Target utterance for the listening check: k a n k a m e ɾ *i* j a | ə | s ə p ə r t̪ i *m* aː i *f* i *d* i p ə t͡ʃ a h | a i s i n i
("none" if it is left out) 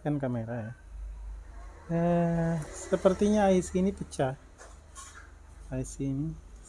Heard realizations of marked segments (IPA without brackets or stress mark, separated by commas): a, ɲ, s, n